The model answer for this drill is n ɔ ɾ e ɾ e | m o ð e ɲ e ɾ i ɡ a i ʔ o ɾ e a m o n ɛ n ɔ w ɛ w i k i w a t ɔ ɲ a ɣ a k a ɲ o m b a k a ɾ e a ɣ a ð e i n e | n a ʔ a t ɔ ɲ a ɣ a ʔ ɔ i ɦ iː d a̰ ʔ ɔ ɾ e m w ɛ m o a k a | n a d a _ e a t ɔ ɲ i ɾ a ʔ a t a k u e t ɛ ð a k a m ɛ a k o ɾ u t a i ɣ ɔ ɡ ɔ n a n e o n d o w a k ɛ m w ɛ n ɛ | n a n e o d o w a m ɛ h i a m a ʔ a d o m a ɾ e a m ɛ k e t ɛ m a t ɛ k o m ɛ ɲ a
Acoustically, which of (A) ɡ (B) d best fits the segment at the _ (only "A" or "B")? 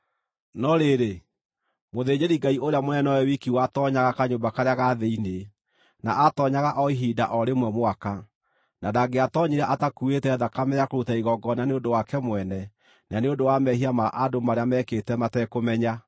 A